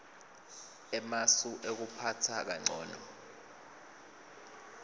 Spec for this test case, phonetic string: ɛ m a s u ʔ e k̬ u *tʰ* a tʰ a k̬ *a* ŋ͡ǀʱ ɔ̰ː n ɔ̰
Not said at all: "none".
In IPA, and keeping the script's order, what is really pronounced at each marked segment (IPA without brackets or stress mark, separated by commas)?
pʰ, a